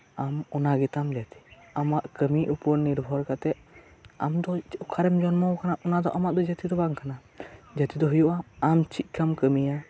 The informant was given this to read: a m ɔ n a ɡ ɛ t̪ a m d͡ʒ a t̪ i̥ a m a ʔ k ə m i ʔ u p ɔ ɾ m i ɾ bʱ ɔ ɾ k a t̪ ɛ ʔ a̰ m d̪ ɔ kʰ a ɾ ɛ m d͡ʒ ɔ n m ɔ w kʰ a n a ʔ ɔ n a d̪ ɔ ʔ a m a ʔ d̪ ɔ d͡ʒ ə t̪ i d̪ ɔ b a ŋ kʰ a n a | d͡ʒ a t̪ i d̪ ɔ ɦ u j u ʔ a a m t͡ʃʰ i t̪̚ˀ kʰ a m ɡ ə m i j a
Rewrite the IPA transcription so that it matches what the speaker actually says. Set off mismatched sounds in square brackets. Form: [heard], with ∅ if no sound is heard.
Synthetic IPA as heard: a m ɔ n a ɡ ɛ t̪ a m d͡ʒ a t̪ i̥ a m a ʔ k ə m i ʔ u p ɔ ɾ [n] i ɾ bʱ ɔ ɾ k a t̪ ɛ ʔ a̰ m d̪ ɔ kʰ a ɾ ɛ m d͡ʒ ɔ n m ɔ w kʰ a n a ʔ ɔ n a d̪ ɔ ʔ a m a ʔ d̪ ɔ d͡ʒ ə t̪ i d̪ ɔ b a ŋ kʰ a n a | d͡ʒ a t̪ i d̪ ɔ ɦ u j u ʔ a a m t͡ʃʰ i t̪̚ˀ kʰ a m [k] ə m i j a